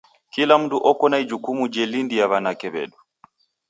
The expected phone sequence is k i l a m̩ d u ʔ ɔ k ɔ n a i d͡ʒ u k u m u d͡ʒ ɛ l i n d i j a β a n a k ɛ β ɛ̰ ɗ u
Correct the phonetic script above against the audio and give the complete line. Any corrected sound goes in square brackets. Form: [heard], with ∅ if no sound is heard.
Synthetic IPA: k i l a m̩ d u ʔ ɔ k ɔ n a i d͡ʒ u k u m u d͡ʒ ɛ l i n d i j a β a n a k ɛ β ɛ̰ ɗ u